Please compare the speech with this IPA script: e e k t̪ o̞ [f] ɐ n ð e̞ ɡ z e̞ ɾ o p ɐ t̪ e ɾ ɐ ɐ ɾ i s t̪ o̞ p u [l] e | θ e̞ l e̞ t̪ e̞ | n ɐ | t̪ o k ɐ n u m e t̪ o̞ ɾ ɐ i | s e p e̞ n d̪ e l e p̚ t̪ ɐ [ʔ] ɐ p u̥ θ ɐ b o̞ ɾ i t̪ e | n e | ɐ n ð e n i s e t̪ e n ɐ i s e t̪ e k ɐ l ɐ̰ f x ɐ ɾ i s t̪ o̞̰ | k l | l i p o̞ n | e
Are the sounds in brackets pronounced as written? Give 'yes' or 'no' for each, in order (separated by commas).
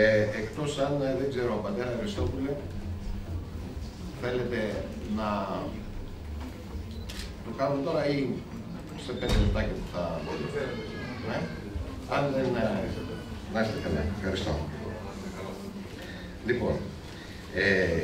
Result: no, yes, no